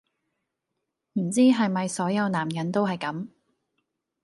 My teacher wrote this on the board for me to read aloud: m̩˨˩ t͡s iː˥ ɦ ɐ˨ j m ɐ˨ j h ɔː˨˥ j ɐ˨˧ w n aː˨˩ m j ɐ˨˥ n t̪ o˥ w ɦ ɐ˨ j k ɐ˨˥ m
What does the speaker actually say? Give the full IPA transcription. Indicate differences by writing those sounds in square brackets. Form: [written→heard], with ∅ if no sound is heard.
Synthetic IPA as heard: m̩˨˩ t͡s iː˥ ɦ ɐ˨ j m ɐ˨ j [h→s] ɔː˨˥ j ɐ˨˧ w n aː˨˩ m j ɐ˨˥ n t̪ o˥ w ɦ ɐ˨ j k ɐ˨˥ m